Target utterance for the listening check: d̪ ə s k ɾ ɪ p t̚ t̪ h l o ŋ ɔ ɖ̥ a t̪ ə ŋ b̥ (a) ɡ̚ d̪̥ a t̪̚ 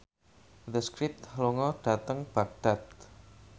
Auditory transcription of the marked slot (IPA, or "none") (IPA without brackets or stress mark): a